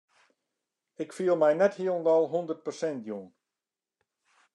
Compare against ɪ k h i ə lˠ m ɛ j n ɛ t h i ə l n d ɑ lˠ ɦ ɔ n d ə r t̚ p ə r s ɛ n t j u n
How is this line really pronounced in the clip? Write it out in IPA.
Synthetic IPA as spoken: ɪ k f i ə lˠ m ɛ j n ɛ t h i ə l n d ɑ lˠ ɦ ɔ n d ə r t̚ p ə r s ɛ n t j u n